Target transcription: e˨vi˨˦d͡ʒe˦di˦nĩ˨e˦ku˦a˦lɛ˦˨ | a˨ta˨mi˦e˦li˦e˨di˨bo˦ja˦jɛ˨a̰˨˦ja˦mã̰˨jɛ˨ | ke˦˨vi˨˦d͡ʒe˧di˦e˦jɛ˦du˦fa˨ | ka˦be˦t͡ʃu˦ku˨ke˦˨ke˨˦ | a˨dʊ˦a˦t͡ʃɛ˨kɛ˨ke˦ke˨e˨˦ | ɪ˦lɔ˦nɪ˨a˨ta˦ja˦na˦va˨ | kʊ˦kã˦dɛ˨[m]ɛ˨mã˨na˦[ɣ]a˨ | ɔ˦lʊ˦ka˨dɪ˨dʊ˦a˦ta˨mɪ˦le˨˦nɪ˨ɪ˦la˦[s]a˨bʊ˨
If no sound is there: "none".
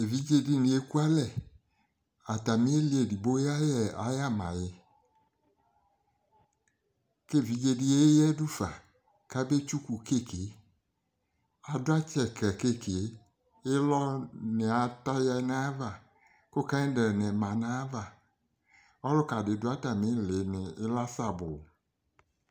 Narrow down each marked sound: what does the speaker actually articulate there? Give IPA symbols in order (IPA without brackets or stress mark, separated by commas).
n, v, s